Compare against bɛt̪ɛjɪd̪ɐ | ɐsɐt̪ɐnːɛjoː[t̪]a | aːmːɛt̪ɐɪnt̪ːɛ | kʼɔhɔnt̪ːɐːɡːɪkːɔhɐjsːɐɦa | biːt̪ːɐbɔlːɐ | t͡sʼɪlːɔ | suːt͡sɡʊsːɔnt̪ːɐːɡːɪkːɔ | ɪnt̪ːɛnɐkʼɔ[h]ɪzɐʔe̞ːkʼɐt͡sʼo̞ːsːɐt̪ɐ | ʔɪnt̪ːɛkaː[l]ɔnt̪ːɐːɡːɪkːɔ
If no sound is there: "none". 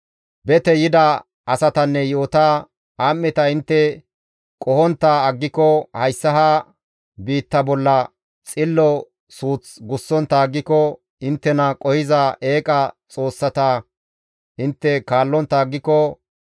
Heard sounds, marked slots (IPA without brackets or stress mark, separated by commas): t̪, h, lː